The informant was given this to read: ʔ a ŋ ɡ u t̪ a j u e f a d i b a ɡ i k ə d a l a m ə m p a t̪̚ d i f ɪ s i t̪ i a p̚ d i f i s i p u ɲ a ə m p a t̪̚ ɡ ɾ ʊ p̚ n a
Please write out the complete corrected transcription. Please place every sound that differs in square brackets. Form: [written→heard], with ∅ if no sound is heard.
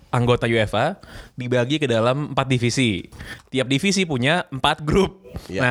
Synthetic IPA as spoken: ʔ a ŋ ɡ [u→o] t̪ a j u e f a d i b a ɡ i k ə d a l a m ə m p a t̪̚ d i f [ɪ→i] s i t̪ i a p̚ d i f i s i p u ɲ a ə m p a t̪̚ ɡ ɾ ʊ p̚ n a